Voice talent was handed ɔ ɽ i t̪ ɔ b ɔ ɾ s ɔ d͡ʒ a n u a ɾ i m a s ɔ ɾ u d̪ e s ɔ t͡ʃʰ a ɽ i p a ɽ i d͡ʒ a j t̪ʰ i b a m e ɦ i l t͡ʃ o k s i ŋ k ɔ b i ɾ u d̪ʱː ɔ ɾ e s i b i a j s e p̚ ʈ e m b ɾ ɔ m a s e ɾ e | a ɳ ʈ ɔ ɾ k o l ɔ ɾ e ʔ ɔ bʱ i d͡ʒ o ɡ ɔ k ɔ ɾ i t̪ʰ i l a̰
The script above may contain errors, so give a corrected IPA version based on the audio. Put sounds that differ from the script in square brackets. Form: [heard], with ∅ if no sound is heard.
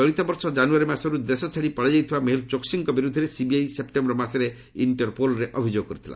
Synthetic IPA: ɔ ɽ i t̪ ɔ b ɔ ɾ s ɔ d͡ʒ a n u a ɾ i m a s ɔ ɾ u d̪ e s ɔ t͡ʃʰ a ɽ i p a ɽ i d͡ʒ a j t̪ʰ i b a m e ɦ i l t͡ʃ o k s i ŋ k ɔ b i ɾ u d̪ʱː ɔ ɾ e s i b i a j s e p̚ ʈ e m b ɾ ɔ m a s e ɾ e | [i] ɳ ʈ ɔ ɾ [p] o l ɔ ɾ e ʔ ɔ bʱ i d͡ʒ o ɡ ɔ k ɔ ɾ i t̪ʰ i l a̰